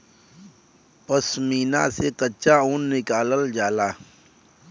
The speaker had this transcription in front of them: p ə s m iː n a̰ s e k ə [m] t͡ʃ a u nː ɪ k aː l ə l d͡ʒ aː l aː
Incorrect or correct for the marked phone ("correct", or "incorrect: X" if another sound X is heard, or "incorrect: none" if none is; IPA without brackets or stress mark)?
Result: incorrect: none